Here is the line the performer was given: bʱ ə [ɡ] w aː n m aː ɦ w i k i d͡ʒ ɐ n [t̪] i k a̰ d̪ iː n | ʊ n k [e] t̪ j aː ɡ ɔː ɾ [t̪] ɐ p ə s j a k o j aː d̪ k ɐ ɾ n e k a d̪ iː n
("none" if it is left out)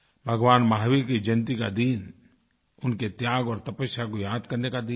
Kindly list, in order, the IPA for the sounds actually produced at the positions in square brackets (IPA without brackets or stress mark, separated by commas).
ɡ, t̪, e, t̪